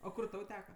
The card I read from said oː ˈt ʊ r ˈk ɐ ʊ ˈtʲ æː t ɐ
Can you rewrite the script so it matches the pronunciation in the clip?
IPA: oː ˈk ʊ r ˈt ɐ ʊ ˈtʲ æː k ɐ